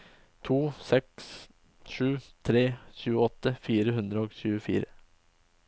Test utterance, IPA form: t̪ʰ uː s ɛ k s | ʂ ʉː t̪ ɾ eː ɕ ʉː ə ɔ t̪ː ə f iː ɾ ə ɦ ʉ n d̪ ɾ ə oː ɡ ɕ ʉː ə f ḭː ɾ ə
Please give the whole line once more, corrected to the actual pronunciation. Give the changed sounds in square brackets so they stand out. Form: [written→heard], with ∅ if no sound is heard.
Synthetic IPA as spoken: t̪ʰ uː s ɛ k s | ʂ ʉː [t̪→t̪ʰ] ɾ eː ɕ ʉː ə ɔ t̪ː ə f iː ɾ ə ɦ ʉ n d̪ ɾ ə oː ɡ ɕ ʉː ə f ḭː ɾ ə